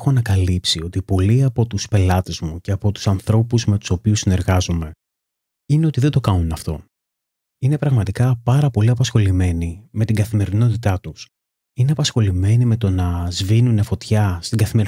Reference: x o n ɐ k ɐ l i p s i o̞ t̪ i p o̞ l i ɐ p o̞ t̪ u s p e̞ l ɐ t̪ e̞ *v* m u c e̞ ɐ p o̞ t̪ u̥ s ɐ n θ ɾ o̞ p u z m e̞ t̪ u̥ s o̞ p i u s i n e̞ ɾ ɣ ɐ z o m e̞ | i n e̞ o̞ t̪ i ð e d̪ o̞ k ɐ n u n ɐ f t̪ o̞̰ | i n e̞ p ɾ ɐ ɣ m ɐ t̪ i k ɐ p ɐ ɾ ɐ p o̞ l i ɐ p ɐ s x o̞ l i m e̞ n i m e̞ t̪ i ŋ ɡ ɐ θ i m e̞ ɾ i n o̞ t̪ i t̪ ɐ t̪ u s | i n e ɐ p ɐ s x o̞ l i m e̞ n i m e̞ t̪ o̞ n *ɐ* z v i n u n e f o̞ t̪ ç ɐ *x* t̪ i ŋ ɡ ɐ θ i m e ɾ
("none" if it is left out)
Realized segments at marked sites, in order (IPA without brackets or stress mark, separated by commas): z, ɐ, s